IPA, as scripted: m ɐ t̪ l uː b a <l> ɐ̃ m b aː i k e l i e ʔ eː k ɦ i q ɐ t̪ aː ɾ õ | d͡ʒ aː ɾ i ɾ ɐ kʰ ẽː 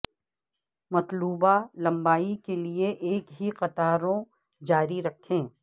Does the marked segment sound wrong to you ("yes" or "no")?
no